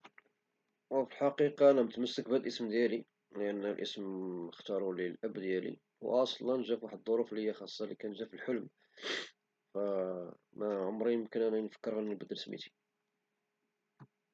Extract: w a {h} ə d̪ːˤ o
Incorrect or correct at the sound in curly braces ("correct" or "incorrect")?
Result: incorrect